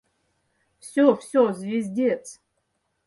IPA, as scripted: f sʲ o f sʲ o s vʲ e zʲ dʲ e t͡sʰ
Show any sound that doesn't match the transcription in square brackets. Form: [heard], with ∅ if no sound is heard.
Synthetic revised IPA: f sʲ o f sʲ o [z] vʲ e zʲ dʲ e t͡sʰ